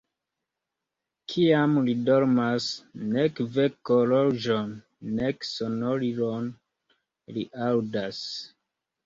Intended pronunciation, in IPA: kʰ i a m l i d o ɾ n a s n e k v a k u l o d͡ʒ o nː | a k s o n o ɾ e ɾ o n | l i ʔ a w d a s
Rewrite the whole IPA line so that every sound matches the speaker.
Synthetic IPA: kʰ i a m l i d o ɾ m a s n e k v e k o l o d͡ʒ o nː | e k s o n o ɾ i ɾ o n | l i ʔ a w d a s